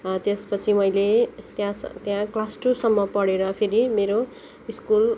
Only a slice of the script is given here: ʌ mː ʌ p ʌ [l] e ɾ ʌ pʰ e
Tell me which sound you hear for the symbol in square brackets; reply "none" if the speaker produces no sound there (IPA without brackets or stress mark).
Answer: ɽ